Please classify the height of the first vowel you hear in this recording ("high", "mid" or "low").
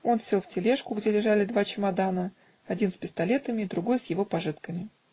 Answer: mid